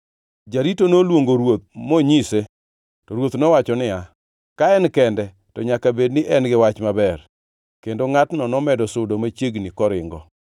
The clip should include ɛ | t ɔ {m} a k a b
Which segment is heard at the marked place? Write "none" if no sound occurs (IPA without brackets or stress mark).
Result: ɲ